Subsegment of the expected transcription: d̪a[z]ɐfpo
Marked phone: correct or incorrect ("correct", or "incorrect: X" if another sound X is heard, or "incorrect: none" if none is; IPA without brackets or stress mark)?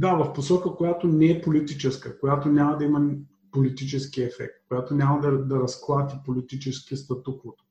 incorrect: v